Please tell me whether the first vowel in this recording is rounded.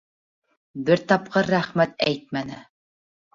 no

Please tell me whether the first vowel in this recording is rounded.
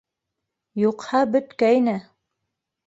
yes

